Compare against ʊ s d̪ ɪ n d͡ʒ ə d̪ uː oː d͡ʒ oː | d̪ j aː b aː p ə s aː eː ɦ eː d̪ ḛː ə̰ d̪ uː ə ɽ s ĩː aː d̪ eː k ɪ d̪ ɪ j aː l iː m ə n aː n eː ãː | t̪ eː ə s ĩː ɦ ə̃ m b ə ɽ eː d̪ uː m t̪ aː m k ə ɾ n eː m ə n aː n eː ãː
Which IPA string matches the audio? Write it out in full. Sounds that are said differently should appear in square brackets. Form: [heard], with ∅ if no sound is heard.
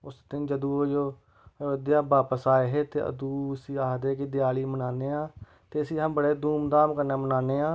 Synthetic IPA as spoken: ʊ s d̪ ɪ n d͡ʒ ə d̪ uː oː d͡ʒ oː | d̪ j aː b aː p ə s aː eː ɦ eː [t̪] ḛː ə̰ d̪ uː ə [∅] s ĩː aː d̪ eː k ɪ d̪ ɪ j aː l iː m ə n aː n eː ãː | t̪ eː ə s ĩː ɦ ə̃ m b ə ɽ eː d̪ uː m [d̪] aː m k ə ɾ n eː m ə n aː n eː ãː